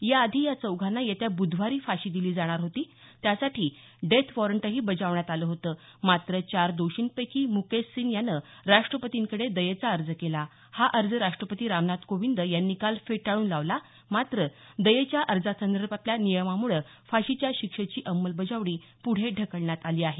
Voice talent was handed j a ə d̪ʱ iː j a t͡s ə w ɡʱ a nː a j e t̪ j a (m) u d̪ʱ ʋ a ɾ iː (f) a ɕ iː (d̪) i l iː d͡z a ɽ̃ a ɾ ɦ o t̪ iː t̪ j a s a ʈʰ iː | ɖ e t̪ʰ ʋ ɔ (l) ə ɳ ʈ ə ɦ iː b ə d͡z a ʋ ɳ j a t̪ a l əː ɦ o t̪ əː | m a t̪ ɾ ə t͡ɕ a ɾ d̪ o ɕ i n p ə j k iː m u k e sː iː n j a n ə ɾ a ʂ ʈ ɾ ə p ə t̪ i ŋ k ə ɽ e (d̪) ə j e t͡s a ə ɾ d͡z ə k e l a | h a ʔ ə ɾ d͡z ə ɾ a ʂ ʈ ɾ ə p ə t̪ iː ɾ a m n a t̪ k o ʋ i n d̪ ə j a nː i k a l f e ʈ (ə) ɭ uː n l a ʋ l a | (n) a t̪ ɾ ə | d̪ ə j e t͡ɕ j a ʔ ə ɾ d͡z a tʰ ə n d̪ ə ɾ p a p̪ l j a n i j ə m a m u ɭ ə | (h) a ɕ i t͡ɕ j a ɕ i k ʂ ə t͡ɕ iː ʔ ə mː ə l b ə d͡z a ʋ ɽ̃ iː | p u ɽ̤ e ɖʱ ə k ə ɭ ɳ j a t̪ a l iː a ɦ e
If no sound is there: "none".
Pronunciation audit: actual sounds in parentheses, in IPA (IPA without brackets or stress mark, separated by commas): b, f, d̪, ɾ, d̪, a, m, f